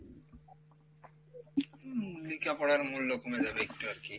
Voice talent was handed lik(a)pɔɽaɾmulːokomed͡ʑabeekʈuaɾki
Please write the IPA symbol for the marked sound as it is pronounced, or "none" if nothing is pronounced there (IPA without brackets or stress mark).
a